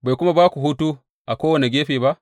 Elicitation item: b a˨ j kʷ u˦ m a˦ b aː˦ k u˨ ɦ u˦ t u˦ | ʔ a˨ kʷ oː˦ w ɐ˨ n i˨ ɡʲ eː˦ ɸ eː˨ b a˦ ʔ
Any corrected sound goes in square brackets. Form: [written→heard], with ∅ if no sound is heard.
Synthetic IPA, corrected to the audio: b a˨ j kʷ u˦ m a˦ b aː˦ k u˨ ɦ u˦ t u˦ | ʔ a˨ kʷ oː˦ w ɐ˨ n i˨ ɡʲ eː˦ ɸ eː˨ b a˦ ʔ